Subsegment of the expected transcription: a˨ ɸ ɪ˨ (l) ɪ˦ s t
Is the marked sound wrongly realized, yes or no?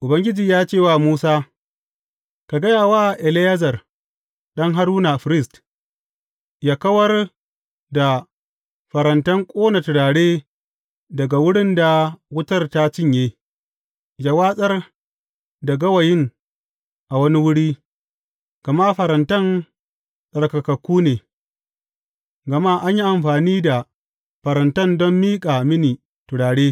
yes